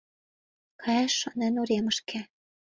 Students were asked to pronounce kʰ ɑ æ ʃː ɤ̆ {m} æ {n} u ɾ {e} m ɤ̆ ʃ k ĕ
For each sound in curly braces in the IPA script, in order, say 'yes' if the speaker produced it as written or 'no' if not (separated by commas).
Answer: no, yes, yes